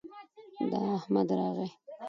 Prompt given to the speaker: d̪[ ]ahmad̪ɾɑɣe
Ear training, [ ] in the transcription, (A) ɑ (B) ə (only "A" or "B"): A